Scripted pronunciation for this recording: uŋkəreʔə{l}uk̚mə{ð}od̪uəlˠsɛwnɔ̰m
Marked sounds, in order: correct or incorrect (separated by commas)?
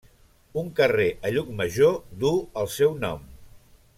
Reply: incorrect, incorrect